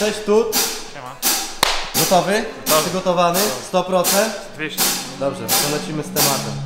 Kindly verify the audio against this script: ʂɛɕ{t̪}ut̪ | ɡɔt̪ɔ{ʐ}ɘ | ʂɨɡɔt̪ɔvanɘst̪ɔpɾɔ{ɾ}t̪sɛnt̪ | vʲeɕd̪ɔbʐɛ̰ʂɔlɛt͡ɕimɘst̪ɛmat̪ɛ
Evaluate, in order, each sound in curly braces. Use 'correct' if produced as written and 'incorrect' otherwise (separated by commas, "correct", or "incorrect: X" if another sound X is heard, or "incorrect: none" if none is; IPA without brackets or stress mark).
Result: correct, incorrect: v, incorrect: none